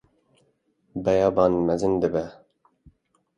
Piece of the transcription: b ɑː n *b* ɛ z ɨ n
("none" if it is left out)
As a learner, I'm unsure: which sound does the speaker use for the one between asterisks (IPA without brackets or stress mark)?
m